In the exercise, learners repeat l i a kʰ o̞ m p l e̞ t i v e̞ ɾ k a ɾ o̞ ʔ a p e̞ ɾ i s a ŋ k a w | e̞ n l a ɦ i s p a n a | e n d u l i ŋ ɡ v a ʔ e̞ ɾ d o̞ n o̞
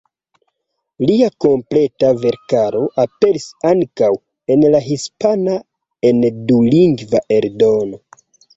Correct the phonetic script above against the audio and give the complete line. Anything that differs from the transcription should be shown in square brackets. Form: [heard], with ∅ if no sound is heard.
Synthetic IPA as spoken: l i a [k] o̞ m p l e̞ t [a] v e̞ ɾ k a ɾ o̞ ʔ a p e̞ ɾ i s a ŋ k a w | e̞ n l a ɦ i s p a n a | e n d u l i ŋ ɡ v a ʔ e̞ ɾ d o̞ n o̞